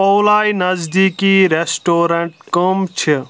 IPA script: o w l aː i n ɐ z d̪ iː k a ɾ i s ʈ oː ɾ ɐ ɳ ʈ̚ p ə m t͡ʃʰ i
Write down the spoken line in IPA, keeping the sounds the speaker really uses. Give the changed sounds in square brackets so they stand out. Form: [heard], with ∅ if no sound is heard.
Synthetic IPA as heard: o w l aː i n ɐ z d̪ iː k [i] ɾ [e] s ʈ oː ɾ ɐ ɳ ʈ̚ [k] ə m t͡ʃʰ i

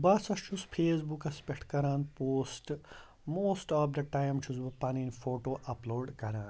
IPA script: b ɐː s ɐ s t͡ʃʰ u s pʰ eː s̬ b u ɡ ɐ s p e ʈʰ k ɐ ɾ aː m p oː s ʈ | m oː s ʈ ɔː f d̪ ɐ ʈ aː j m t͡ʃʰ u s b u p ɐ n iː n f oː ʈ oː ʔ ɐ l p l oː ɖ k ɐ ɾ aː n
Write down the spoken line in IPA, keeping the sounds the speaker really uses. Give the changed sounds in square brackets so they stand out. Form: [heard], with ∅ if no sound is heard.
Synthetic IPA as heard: b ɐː s ɐ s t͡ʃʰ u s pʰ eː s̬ b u [k] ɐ s p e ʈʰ k ɐ ɾ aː [n] p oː s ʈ | m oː s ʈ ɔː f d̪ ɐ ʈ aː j m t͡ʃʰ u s b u p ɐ n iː n f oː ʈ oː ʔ ɐ [∅] p l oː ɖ k ɐ ɾ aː n

